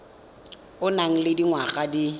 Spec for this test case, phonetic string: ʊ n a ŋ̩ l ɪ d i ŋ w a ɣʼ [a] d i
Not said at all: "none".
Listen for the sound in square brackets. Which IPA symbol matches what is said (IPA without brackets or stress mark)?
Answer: a